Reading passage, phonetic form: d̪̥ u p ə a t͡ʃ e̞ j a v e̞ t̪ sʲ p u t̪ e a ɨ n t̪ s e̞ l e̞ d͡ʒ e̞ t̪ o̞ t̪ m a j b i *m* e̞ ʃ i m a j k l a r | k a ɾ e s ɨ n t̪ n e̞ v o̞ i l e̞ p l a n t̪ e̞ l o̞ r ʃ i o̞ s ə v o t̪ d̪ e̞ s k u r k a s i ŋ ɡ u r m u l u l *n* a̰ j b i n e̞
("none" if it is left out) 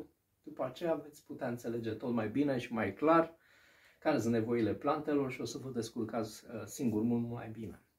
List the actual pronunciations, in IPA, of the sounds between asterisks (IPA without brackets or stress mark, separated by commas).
n, m